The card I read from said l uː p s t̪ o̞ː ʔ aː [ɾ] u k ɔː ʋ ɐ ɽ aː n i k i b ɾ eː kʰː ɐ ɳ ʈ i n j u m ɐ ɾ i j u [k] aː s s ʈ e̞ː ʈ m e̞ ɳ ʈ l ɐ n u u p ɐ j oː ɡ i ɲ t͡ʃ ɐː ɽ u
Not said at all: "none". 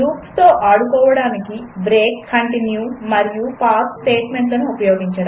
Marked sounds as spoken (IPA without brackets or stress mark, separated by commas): ɽ, p